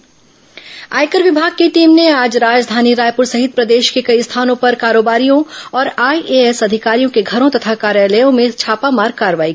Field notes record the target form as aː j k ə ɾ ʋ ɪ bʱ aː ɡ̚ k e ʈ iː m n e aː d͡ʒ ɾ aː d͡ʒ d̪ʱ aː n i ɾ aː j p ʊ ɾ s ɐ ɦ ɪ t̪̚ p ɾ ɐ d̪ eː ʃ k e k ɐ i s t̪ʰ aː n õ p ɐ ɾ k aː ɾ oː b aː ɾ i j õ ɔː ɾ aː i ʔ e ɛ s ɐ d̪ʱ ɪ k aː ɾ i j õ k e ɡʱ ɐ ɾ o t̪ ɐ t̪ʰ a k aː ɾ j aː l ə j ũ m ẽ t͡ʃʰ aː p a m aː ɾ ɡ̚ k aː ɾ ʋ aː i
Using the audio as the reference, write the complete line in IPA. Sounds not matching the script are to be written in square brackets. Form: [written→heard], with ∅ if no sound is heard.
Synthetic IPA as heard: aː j k ə ɾ ʋ ɪ bʱ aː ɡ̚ k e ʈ iː m n e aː d͡ʒ ɾ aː d͡ʒ d̪ʱ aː n i ɾ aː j p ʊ ɾ s ɐ ɦ ɪ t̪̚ p ɾ ɐ d̪ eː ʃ k e k ɐ i s t̪ʰ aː n õ p ɐ ɾ k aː ɾ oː b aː ɾ i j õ ɔː ɾ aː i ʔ e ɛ s ɐ d̪ʱ ɪ k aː ɾ i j õ k e ɡʱ ɐ ɾ [o→õ] t̪ ɐ t̪ʰ a k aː ɾ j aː l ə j [ũ→õ] m ẽ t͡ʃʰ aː p a m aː ɾ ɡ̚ k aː ɾ ʋ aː i